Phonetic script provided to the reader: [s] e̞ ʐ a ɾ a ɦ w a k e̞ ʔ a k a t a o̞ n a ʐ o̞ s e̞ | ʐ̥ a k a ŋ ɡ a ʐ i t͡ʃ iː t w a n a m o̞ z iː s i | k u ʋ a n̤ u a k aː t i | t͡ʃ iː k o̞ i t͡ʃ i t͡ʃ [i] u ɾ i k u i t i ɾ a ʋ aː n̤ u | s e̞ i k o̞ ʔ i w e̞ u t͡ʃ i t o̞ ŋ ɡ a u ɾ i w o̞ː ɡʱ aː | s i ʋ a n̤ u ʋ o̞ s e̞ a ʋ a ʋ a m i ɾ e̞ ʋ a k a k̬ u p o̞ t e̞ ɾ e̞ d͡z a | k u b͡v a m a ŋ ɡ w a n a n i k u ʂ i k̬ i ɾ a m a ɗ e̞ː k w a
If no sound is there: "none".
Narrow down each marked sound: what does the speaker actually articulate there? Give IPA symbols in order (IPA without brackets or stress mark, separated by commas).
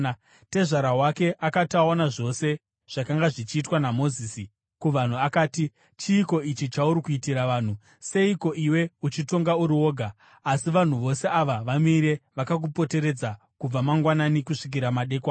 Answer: t, a